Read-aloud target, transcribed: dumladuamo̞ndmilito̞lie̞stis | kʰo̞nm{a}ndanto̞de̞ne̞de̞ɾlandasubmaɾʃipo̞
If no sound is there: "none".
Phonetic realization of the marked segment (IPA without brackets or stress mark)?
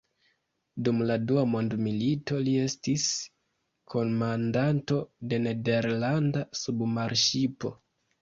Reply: a